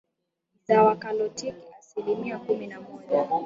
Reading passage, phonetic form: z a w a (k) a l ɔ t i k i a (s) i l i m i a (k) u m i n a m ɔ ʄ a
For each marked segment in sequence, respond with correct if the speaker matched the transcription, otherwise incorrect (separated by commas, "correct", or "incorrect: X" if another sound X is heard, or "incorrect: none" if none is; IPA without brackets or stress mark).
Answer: correct, correct, correct